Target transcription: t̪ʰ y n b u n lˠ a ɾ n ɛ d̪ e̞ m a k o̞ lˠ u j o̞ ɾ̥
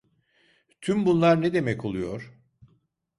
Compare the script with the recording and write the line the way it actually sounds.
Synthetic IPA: t̪ʰ y m b u n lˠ a ɾ n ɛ d̪ e̞ m ɛ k o̞ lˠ u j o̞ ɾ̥

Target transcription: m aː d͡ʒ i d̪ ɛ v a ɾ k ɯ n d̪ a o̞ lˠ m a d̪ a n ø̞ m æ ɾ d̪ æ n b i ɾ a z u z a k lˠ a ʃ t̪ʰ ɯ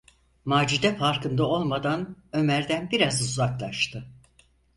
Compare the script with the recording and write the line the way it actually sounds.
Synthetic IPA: m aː d͡ʒ i d̪ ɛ f a ɾ k ɯ n d̪ a o̞ lˠ m a d̪ a n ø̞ m æ ɾ d̪ æ n b i ɾ a z u z a k lˠ a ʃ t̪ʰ ɯ

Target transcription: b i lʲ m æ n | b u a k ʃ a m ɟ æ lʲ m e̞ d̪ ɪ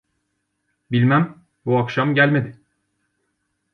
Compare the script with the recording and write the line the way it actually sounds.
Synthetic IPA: b i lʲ m æ m | b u a k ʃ a m ɟ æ lʲ m e̞ d̪ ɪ

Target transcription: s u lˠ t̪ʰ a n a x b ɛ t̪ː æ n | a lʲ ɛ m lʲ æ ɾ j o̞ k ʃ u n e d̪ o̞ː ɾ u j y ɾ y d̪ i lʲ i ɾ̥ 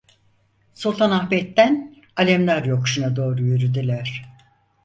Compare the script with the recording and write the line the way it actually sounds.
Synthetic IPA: s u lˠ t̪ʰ a n a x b ɛ t̪ː æ n | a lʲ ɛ m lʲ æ ɾ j o̞ k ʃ u n a d̪ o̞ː ɾ u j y ɾ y d̪ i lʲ æ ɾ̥

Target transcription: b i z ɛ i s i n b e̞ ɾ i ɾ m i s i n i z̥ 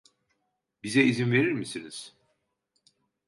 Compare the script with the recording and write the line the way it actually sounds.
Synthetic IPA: b i z ɛ i z i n v e̞ ɾ i ɾ m i s i n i z̥

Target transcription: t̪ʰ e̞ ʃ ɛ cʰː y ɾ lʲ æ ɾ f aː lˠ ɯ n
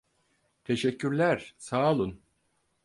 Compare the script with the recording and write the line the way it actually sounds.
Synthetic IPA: t̪ʰ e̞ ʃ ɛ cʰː y ɾ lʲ æ ɾ s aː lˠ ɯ n

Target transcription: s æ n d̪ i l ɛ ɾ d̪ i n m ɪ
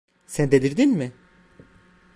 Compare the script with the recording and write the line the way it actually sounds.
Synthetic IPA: s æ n d̪ e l i ɾ d̪ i n m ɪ

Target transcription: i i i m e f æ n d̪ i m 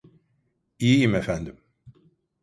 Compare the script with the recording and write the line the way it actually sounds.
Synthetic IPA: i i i m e f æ n d̪ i m

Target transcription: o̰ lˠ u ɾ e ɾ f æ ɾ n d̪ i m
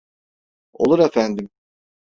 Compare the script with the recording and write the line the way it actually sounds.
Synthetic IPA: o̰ lˠ u ɾ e f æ n d̪ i m

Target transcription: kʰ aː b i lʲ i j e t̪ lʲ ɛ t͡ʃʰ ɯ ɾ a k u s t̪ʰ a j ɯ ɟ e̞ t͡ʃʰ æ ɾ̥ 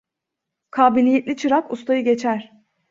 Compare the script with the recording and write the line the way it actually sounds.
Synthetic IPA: kʰ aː b i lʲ i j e t̪ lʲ i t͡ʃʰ ɯ ɾ a k u s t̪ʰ a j ɯ ɟ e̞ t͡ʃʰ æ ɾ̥

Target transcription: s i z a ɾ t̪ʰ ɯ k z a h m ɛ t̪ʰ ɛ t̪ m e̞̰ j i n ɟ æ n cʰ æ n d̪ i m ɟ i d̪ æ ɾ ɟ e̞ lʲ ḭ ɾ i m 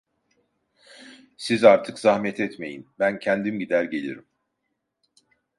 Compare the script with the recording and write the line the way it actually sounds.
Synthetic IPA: s i z a ɾ t̪ʰ ɯ k z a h m ɛ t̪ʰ ɛ t̪ m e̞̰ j i n b æ n cʰ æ n d̪ i m ɟ i d̪ æ ɾ ɟ e̞ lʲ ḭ ɾ i m

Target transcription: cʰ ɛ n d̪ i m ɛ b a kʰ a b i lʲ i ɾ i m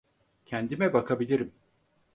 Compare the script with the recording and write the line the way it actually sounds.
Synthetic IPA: cʰ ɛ n d̪ i m ɛ b a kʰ a b i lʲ i ɾ i m

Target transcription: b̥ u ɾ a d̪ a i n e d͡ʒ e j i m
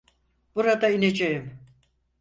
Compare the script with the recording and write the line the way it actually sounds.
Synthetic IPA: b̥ u ɾ a d̪ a i n e d͡ʒ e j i m

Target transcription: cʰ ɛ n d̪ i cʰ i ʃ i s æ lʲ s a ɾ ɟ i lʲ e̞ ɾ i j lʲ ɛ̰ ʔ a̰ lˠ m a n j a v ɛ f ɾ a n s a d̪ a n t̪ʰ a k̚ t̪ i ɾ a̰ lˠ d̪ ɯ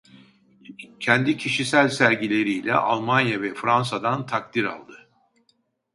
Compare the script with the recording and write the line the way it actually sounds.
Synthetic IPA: cʰ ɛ n d̪ i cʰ i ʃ i s æ lʲ s æ ɾ ɟ i lʲ e̞ ɾ i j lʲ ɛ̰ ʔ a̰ lˠ m a n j a v ɛ f ɾ a n s a d̪ a n t̪ʰ a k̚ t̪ i ɾ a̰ lˠ d̪ ɯ

